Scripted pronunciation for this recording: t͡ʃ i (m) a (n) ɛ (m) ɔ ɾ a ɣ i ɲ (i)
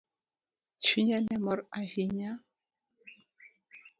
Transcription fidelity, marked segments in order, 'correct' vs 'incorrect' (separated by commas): incorrect, correct, correct, incorrect